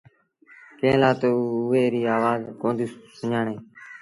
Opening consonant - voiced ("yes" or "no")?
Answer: no